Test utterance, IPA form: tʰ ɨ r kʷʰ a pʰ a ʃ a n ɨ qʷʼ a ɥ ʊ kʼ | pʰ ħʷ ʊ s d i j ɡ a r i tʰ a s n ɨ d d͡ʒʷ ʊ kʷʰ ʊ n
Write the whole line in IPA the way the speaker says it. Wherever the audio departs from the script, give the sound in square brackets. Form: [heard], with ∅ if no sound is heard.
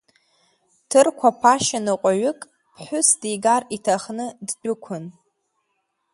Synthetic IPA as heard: tʰ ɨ r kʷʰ a pʰ a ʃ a n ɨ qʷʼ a ɥ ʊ kʼ | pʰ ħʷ ʊ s d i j ɡ a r i tʰ a [χ] n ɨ d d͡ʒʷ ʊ kʷʰ ʊ n